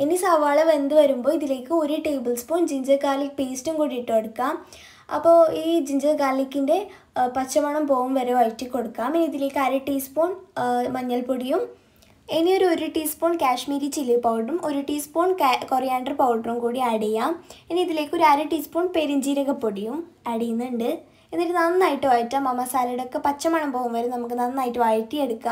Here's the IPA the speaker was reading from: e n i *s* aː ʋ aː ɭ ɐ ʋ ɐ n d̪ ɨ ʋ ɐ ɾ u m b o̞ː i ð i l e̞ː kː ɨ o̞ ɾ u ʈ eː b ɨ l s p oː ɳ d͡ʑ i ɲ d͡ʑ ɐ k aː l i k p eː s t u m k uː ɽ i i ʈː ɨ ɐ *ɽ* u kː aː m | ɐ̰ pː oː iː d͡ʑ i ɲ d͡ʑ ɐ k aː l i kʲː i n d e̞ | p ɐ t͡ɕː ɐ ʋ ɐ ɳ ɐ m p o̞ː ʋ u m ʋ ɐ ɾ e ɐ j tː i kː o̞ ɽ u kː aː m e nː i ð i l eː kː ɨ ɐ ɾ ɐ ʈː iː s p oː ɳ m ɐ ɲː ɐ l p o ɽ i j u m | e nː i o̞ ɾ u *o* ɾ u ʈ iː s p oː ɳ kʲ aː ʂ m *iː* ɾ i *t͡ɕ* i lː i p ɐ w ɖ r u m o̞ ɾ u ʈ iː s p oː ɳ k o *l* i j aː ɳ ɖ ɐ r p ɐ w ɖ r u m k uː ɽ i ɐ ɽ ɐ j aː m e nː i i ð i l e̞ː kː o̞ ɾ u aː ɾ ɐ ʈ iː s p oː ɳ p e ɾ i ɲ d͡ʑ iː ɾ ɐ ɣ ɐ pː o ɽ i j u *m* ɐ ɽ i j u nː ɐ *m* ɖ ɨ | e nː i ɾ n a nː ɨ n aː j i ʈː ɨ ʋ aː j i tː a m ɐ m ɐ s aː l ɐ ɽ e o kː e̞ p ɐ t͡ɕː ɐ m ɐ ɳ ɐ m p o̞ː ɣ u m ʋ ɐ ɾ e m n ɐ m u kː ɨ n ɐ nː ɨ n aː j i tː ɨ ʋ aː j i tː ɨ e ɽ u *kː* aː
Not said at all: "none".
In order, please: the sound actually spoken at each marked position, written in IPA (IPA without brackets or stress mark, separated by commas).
s, ɽ, o, iː, t͡ɕ, r, m, ɳ, kː